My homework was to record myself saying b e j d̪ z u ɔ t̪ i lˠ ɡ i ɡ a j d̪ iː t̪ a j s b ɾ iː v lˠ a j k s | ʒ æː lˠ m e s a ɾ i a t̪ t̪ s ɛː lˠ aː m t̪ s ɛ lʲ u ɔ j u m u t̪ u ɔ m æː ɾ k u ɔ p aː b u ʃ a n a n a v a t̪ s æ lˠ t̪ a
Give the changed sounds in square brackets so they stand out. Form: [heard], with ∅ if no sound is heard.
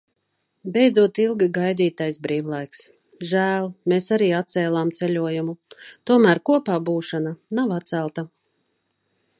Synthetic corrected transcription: b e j d̪ z u ɔ t̪ i lˠ ɡ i ɡ a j d̪ iː t̪ a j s b ɾ iː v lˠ a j k s | ʒ æː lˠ m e s a ɾ [iː] a t̪ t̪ s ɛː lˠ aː m t̪ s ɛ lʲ u ɔ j u m u t̪ u ɔ m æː ɾ k u ɔ p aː b [uː] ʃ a n a n a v a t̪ s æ lˠ t̪ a